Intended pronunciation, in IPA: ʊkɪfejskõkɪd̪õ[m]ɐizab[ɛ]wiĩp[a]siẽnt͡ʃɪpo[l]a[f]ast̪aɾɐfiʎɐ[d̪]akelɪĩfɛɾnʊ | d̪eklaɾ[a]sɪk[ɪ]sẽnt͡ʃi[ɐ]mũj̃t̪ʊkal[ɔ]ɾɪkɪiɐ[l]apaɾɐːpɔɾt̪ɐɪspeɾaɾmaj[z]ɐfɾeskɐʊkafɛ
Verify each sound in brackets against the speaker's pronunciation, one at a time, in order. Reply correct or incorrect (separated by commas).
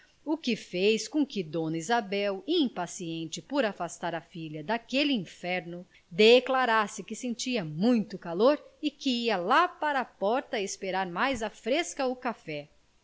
incorrect, correct, correct, incorrect, correct, correct, correct, correct, correct, incorrect, correct, correct